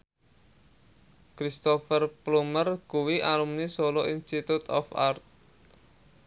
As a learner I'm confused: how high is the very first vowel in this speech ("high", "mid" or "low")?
high